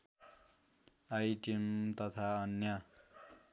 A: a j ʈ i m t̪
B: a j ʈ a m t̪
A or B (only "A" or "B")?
A